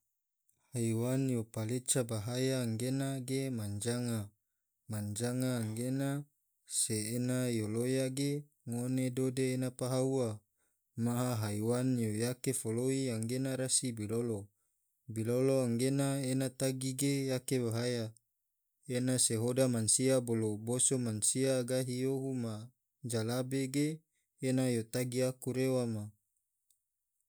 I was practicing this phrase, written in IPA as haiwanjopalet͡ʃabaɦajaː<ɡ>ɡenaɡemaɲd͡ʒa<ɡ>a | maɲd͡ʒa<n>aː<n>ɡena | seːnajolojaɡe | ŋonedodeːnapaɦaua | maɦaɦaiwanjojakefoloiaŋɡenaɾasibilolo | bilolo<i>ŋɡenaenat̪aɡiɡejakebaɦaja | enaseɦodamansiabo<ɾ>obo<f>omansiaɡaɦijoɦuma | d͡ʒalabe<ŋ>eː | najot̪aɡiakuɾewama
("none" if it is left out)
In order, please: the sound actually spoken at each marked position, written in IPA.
ŋ, ŋ, ŋ, ŋ, a, l, s, ɡ

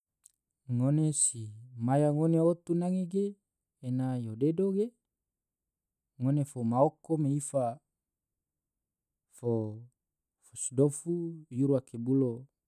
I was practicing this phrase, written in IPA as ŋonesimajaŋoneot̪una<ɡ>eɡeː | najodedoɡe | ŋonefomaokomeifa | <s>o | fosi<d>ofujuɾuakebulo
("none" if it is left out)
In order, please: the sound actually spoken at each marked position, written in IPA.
ŋ, f, d

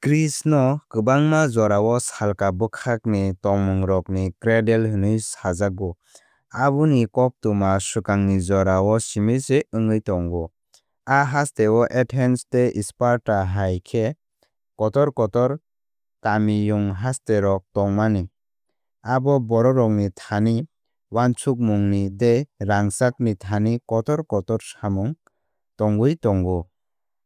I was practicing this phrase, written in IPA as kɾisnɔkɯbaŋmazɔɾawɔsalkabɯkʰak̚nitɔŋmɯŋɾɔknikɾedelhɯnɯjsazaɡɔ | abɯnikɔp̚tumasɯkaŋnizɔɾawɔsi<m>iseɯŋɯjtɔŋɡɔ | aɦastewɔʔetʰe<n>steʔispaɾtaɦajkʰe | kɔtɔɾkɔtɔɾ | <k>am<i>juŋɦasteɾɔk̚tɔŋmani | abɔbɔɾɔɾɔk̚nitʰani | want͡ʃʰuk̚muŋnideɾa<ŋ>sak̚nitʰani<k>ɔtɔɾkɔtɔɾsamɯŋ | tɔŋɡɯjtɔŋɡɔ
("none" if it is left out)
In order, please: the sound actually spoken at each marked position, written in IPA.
m, n, k, i, ŋ, k

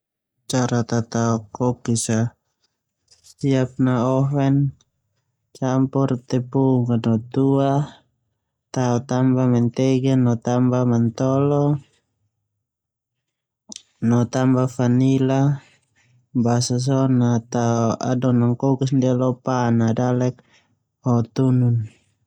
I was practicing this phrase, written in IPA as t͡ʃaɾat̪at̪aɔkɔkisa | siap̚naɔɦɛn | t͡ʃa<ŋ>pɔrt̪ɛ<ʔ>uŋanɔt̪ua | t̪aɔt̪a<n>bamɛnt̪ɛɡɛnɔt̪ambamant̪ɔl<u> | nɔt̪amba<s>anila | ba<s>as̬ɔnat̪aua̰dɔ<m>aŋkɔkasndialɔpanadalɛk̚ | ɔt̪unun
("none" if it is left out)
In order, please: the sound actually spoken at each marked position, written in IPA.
m, p, m, ɔ, f, s, n

